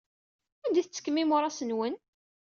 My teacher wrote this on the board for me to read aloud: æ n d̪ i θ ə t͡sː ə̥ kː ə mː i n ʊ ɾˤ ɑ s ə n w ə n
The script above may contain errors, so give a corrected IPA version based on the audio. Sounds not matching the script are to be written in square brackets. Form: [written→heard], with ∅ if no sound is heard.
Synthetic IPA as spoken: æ n d̪ i θ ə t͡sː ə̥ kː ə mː i [n→m] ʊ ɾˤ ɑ s ə n w ə n